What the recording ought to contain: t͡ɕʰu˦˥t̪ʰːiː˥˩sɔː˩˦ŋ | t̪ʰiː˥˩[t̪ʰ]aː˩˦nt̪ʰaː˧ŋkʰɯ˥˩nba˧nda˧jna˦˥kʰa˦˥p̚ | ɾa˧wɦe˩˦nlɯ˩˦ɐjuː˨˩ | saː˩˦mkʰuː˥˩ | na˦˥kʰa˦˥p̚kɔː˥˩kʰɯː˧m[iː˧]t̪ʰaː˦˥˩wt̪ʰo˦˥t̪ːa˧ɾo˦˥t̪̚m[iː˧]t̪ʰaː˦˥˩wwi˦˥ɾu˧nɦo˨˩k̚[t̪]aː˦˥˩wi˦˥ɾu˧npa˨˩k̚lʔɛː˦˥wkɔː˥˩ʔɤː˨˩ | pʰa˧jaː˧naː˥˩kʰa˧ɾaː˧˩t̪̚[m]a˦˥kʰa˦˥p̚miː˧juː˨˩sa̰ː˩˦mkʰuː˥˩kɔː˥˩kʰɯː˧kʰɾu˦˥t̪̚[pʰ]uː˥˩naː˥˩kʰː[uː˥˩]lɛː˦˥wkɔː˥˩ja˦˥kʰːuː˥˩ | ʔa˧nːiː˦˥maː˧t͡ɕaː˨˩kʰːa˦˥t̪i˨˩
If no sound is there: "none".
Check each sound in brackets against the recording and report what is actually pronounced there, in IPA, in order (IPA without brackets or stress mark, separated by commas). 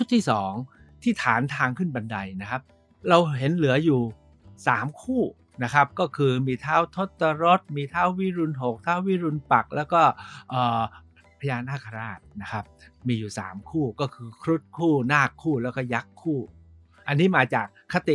t̪ʰ, iː˧, iː˧, t̪ʰ, n, kʰ, uː˥˩